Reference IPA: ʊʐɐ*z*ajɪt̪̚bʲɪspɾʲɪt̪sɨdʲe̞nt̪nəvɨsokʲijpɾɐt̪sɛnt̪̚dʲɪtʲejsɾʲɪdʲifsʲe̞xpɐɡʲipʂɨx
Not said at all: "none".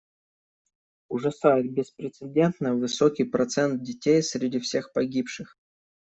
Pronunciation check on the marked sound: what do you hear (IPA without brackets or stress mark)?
s